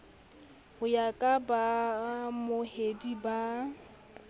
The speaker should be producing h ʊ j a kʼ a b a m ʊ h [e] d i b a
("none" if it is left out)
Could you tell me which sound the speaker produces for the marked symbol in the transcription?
e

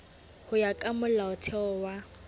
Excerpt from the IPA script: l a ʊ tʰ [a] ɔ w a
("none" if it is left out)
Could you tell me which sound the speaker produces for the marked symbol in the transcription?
ɛ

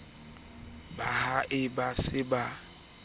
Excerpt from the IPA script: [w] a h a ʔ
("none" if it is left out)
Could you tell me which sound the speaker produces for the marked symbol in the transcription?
b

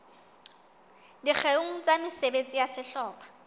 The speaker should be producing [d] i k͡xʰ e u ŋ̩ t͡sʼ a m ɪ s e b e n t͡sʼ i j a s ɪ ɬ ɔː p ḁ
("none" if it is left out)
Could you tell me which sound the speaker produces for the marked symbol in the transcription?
d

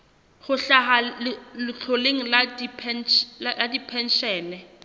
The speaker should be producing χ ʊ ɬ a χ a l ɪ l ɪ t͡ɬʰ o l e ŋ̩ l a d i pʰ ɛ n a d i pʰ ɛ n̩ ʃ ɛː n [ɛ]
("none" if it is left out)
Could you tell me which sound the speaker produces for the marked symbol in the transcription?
ɛ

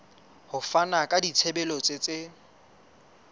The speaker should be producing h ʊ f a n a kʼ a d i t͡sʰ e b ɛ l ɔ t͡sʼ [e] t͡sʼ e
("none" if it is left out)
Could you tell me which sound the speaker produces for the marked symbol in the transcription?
e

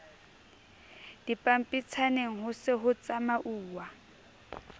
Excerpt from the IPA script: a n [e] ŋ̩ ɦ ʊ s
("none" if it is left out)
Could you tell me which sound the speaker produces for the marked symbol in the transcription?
e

